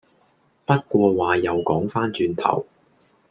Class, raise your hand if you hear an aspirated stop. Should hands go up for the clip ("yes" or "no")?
yes